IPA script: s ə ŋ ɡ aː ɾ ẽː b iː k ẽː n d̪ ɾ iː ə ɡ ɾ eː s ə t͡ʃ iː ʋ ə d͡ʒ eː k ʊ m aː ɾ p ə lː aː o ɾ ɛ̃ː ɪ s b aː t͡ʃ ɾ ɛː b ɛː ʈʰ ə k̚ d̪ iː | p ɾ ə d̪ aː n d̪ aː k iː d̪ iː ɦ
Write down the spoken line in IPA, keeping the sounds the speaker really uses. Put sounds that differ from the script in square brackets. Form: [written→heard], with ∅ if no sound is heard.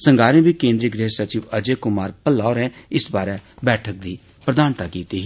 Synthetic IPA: s ə ŋ ɡ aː ɾ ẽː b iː k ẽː n d̪ ɾ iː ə ɡ ɾ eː s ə t͡ʃ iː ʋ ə d͡ʒ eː k ʊ m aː ɾ p ə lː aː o ɾ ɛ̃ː ɪ s b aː [t͡ʃ→∅] ɾ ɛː b ɛː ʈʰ ə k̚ d̪ iː | p ɾ ə d̪ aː n [d̪→t̪] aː k iː [d̪→t̪] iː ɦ